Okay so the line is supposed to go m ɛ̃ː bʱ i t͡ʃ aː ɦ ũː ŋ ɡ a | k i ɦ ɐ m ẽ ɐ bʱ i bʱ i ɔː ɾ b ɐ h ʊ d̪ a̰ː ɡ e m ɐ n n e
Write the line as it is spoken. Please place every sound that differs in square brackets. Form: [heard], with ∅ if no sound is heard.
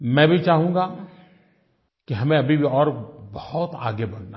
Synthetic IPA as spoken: m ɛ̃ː bʱ i t͡ʃ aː ɦ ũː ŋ ɡ a | k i ɦ ɐ m ẽ ɐ bʱ i bʱ i ɔː ɾ b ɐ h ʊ [t̪] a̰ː ɡ e [b] ɐ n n [a]